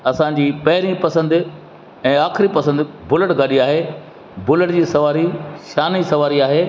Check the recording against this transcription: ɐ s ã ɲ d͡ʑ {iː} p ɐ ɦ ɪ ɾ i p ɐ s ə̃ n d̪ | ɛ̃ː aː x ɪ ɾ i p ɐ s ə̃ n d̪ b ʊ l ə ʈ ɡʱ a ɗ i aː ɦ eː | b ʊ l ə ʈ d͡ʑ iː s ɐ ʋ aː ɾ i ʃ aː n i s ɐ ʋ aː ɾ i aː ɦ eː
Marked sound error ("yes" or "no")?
no